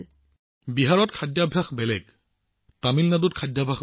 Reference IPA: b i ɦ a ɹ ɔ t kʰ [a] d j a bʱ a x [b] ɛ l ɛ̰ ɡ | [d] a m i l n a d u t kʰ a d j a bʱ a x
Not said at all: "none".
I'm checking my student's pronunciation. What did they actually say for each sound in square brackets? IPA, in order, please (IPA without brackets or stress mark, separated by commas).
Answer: a, b, t